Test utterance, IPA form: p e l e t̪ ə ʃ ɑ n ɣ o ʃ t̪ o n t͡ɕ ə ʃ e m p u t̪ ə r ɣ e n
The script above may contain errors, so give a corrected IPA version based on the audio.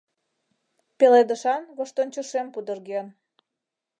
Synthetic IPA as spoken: p e l e d̪ ə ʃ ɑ n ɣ o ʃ t̪ o n t͡ɕ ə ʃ e m p u d̪ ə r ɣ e n

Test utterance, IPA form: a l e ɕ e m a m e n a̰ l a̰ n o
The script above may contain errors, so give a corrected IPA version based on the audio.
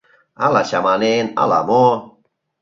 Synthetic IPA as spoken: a l a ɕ a m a n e n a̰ l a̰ m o

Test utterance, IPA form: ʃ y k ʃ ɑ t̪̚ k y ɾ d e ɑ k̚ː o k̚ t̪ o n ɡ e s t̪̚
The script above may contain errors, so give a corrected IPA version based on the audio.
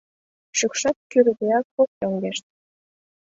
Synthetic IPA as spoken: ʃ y k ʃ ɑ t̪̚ k y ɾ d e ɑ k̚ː o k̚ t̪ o ŋ ɡ e ʃ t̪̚

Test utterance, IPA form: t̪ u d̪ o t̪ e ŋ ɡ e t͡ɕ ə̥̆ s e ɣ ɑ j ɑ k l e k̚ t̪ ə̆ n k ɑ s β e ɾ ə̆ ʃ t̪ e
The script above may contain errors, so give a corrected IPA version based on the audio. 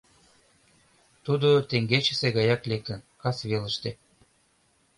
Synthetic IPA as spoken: t̪ u d̪ o t̪ e ŋ ɡ e t͡ɕ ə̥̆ s e ɣ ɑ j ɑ k l e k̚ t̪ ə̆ n k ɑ s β e l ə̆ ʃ t̪ e

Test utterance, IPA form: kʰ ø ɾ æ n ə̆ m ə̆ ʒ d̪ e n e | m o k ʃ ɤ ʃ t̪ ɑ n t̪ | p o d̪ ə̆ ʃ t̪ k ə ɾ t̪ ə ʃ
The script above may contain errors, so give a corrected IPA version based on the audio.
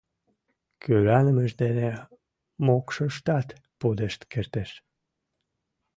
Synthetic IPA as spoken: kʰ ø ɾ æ n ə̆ m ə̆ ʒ d̪ e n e | m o k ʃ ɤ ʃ t̪ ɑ t̪ | p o d̪ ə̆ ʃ t̪ k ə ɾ t̪ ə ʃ

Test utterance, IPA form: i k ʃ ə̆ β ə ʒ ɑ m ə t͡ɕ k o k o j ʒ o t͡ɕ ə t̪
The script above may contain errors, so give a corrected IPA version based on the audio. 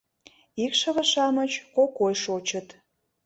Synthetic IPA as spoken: i k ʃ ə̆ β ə ʃ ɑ m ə t͡ɕ k o k o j ʃ o t͡ɕ ə t̪

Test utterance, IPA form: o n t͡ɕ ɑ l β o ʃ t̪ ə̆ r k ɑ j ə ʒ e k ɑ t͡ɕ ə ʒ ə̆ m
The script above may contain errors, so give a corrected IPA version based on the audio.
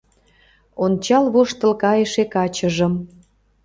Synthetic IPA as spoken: o n t͡ɕ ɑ l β o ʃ t̪ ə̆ l k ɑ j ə ʃ e k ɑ t͡ɕ ə ʒ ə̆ m

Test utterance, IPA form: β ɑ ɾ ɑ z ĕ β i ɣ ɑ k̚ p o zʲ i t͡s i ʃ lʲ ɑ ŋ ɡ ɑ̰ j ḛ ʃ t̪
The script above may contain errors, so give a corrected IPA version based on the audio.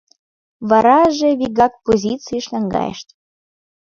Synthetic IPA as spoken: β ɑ ɾ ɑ ʒ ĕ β i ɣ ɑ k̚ p o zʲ i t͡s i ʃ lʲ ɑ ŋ ɡ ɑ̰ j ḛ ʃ t̪

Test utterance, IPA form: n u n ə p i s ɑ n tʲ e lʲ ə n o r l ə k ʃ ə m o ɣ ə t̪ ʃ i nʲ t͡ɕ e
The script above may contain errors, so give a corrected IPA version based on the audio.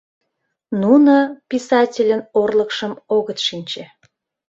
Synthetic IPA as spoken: n u n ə p i s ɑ tʲ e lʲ ə n o r l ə k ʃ ə m o ɣ ə t̪ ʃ i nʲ t͡ɕ e

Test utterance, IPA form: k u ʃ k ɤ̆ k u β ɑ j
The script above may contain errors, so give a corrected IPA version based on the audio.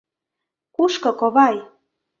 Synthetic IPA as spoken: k u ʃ k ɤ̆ k o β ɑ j

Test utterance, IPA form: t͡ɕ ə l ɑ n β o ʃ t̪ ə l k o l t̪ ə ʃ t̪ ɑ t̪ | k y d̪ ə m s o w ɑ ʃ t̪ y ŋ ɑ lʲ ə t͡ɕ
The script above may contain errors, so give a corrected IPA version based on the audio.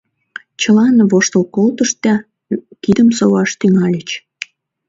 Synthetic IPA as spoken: t͡ɕ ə l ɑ n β o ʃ t̪ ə l k o l t̪ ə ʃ t̪ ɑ | k i d̪ ə m s o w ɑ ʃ t̪ y ŋ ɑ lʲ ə t͡ɕ

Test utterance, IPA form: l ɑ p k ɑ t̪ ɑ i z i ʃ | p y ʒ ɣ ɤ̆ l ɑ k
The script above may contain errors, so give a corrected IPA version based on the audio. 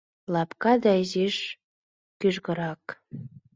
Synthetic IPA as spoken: l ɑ p k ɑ d̪ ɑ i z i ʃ | k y ʒ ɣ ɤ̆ ɾ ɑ k

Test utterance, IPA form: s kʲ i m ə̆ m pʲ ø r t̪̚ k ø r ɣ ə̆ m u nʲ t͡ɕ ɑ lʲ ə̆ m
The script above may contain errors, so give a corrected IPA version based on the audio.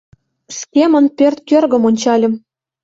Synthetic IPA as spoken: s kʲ e m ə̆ n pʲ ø r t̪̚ k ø r ɣ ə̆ m o nʲ t͡ɕ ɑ lʲ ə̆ m

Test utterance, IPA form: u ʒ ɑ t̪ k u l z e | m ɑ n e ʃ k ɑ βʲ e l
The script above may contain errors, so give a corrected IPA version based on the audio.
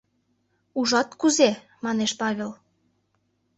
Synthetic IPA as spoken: u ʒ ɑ t̪ k u z e | m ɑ n e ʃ p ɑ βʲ e l

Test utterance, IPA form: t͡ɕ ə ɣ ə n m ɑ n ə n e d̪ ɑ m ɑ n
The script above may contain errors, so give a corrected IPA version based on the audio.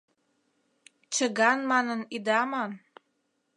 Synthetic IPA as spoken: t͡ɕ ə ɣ ɑ n m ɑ n ə n i d̪ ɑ m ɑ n

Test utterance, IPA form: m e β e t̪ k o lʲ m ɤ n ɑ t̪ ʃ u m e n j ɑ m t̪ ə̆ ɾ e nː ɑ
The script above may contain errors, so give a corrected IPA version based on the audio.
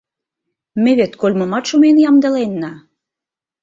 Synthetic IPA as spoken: m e β e t̪ k o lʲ m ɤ m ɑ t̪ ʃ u m e n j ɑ m d̪ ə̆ l e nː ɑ

